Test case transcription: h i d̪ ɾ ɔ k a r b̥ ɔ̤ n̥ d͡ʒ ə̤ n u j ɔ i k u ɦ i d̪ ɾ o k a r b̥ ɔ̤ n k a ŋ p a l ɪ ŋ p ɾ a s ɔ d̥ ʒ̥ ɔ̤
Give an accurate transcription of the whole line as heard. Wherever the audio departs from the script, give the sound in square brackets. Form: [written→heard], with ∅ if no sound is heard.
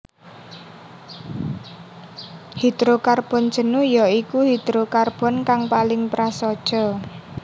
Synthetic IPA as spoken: h i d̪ ɾ [ɔ→o] k a r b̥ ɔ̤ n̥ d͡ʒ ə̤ n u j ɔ i k u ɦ i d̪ ɾ o k a r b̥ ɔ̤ n k a ŋ p a l ɪ ŋ p ɾ a s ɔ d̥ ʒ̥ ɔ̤